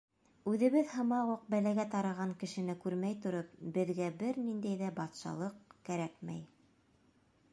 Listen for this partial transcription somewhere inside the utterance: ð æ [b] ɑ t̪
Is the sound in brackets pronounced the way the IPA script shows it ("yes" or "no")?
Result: yes